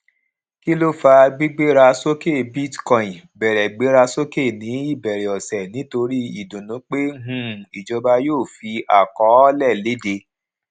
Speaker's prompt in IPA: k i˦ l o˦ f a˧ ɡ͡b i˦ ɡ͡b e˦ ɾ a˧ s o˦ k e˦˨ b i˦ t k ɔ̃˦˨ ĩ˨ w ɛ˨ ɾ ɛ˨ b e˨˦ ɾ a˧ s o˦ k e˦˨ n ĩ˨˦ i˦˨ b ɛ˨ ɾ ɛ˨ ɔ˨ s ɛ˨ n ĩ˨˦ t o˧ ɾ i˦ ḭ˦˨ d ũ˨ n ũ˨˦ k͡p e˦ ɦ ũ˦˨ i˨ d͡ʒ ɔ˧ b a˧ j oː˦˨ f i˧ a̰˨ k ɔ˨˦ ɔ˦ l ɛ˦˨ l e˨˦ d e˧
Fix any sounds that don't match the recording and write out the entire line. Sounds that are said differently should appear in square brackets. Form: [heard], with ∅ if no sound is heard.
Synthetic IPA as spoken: k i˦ l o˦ f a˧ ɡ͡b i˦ ɡ͡b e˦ ɾ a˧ s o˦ k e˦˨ b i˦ t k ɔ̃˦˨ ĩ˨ [b] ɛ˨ ɾ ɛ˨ [ɡ͡b] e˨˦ ɾ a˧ s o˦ k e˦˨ n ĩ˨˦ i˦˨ b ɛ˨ ɾ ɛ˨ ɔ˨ s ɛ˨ n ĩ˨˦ t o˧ ɾ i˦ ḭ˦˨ d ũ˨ n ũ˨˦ k͡p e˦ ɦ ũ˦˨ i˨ d͡ʒ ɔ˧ b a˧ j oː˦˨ f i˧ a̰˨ k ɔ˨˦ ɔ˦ l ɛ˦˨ l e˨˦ d e˧